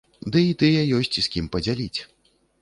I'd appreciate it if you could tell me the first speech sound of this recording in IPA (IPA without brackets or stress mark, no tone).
d̪